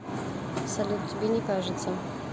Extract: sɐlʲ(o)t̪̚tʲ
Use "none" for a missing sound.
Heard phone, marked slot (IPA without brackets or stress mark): u